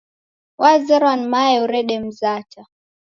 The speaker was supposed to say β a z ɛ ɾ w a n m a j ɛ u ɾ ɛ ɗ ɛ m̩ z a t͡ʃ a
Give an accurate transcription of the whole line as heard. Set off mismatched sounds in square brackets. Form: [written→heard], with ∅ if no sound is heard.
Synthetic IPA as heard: [β→w] a z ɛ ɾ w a n m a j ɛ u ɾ ɛ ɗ ɛ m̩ z a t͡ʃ a